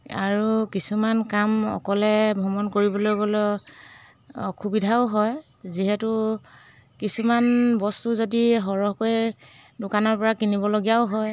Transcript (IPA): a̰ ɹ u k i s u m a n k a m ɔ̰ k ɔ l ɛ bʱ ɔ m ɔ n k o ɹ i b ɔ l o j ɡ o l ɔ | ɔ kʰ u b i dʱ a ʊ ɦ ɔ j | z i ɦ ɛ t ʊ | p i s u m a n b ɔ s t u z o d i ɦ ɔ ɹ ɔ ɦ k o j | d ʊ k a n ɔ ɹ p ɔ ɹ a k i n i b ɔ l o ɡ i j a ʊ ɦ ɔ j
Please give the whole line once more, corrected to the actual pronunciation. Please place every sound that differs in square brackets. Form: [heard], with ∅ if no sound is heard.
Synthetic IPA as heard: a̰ ɹ u k i s u m a n k a m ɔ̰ k ɔ l ɛ bʱ ɔ m ɔ n k o ɹ i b ɔ l o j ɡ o l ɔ | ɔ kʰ u b i dʱ a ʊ ɦ ɔ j | z i ɦ ɛ t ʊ | [k] i s u m a n b ɔ s t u z o d i ɦ ɔ ɹ ɔ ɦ k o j | d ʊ k a n ɔ ɹ p ɔ ɹ a k i n i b ɔ l o ɡ i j a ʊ ɦ ɔ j

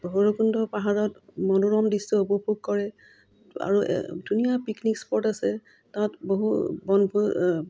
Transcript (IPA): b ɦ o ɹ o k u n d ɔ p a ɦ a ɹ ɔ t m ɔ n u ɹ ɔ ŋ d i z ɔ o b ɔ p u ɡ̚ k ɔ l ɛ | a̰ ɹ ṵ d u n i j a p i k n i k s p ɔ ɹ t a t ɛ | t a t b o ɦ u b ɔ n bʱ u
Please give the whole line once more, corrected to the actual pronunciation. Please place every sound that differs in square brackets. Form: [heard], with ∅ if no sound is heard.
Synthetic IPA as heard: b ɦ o ɹ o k u n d ɔ p a ɦ a ɹ ɔ t m ɔ n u ɹ ɔ [m] d i [s] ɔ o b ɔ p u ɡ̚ k ɔ [ɹ] ɛ | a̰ ɹ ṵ d u n i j a p i k n i k s p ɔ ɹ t a [s] ɛ | t a t b o ɦ u b ɔ n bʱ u

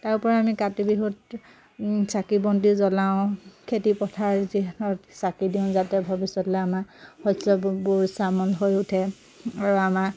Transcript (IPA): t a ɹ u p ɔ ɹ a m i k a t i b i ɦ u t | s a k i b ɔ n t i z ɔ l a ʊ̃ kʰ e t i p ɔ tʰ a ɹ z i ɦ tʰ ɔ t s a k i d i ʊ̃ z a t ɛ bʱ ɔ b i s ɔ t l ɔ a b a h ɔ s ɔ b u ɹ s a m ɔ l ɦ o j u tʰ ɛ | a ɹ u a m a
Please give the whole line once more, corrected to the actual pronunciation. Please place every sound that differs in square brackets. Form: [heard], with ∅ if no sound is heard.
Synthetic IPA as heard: t a ɹ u p ɔ ɹ a m i k a t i b i ɦ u t | s a k i b ɔ n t i z ɔ l a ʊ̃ kʰ e t i p ɔ tʰ a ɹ z i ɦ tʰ ɔ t s a k i d i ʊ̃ z a t ɛ bʱ ɔ b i s ɔ t l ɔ a [m] a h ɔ s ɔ b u ɹ s a m ɔ l ɦ o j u tʰ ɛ | a ɹ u a m a

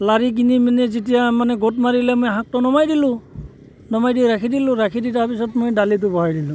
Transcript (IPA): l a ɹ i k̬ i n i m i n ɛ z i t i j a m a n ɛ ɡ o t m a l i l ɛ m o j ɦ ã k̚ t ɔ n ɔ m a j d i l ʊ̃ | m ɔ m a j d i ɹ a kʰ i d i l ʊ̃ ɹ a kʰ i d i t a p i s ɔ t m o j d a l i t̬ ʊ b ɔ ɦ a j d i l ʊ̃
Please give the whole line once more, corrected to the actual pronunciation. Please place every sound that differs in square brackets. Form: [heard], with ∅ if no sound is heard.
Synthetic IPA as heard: l a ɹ i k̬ i n i m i n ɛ z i t i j a m a n ɛ ɡ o t m a [ɹ] i l ɛ m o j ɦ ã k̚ t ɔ n ɔ m a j d i l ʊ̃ | [n] ɔ m a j d i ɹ a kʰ i d i l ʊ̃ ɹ a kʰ i d i t a p i s ɔ t m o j d a l i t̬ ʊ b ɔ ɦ a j d i l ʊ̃

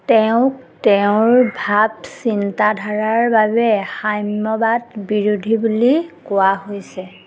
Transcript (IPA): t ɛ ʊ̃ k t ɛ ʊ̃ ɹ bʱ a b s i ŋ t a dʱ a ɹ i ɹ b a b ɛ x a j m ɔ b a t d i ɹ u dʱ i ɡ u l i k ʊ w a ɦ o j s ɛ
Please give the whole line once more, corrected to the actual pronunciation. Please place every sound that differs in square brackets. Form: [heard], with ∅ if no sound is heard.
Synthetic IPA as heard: t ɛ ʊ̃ k t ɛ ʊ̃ ɹ bʱ a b s i [n] t a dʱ a ɹ [a] ɹ b a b ɛ x a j m ɔ b a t [b] i ɹ u dʱ i [b] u l i k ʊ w a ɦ o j s ɛ

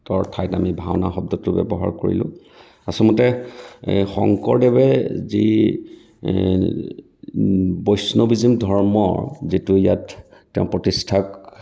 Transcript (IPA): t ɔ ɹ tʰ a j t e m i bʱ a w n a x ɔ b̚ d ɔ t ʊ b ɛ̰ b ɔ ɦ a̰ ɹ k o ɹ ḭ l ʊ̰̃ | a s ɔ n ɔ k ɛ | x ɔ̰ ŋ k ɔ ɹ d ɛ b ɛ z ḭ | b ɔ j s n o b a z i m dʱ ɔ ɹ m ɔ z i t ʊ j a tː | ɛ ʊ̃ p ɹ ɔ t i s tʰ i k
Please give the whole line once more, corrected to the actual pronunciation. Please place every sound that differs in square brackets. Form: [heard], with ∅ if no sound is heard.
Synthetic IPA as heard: t ɔ ɹ tʰ a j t [a] m i bʱ a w n a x ɔ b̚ d ɔ t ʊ b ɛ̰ b ɔ ɦ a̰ ɹ k o ɹ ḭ l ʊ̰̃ | a s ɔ [m] ɔ [t] ɛ | x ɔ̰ ŋ k ɔ ɹ d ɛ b ɛ z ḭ | b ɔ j s n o b [i] z i m dʱ ɔ ɹ m ɔ z i t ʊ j a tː | ɛ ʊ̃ p ɹ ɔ t i s tʰ [a] k

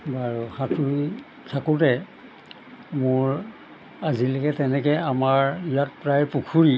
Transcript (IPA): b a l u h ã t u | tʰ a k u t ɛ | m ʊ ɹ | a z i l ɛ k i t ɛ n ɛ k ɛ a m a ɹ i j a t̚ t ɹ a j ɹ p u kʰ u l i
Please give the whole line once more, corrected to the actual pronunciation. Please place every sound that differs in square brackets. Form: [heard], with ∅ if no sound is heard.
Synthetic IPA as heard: b a [ɹ] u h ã t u | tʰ a k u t ɛ | m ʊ ɹ | a z i l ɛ k [ɛ] t ɛ n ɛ k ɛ a m a ɹ i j a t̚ [p] ɹ a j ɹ p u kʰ u [ɹ] i

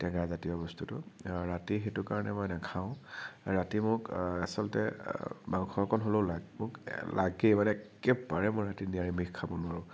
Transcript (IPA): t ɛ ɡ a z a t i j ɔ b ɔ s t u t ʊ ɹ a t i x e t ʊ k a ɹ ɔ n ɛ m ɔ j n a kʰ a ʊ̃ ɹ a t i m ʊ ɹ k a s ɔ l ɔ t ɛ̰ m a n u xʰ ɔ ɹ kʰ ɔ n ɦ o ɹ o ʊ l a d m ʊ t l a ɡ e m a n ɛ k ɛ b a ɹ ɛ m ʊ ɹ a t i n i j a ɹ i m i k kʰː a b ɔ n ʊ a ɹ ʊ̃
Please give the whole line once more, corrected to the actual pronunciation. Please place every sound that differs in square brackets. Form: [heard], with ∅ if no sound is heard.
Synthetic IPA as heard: t ɛ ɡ a z a t i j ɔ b ɔ s t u t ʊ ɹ a t i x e t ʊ k a ɹ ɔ n ɛ m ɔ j n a kʰ a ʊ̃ ɹ a t i m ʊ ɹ k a s ɔ l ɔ t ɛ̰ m a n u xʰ ɔ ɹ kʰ ɔ n ɦ o [l] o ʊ l a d m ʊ [k] l a ɡ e m a n ɛ k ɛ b a ɹ ɛ m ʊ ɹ a t i n i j a ɹ i m i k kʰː a b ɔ n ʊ a ɹ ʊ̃

